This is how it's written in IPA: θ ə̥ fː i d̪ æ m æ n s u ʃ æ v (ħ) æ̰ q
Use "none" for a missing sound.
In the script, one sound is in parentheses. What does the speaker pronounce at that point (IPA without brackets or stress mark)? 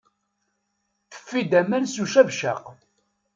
ʃ